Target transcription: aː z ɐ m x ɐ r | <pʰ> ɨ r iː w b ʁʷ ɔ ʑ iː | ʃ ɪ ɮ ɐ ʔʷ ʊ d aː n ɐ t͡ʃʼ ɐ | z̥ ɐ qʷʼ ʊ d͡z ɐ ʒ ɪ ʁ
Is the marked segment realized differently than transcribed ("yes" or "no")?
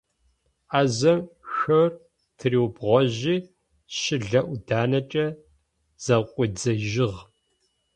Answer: yes